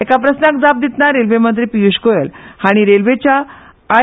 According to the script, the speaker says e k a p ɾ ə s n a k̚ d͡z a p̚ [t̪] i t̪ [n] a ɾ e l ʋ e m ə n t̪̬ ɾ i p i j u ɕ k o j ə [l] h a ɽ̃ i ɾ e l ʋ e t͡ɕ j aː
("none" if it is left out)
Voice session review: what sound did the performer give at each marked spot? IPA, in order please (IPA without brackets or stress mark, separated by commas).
d̪, n, l